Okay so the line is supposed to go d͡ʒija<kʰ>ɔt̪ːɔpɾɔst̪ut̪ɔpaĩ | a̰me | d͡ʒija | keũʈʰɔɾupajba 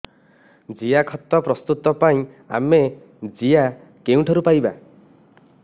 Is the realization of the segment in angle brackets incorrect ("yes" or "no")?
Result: no